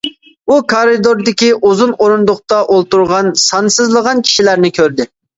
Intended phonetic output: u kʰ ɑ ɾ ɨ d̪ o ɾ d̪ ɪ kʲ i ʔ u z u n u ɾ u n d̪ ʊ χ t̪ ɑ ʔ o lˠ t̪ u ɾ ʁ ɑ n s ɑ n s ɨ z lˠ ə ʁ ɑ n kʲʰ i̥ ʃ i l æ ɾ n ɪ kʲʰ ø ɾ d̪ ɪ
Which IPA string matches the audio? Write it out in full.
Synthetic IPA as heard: u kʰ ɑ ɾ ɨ d̪ o ɾ d̪ ɪ kʲ i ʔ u z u n o ɾ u n d̪ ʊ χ t̪ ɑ ʔ o lˠ t̪ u ɾ ʁ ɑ n s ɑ n s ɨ z lˠ ə ʁ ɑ n kʲʰ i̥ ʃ i l æ ɾ n ɪ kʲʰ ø ɾ d̪ ɪ